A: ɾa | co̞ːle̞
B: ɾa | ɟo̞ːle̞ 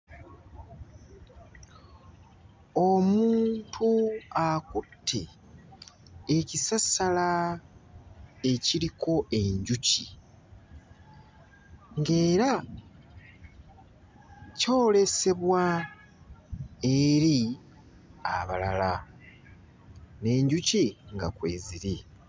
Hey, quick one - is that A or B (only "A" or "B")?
A